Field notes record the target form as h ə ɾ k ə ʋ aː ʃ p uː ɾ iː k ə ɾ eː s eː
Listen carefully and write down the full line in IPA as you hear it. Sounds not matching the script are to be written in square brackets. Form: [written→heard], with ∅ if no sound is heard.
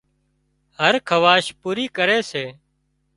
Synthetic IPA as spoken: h ə ɾ [k→kʰ] ə ʋ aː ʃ p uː ɾ iː k ə ɾ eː s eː